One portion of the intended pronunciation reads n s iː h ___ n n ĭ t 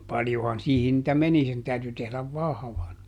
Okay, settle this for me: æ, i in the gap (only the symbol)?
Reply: i